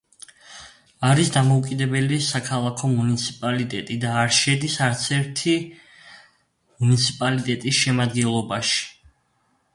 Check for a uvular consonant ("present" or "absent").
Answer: absent